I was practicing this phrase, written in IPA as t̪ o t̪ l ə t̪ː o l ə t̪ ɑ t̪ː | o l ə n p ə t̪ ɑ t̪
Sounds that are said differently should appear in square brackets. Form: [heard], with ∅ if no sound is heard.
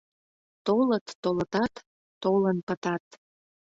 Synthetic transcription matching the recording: t̪ o [∅] l ə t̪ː o l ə t̪ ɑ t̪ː | o l ə n p ə t̪ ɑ t̪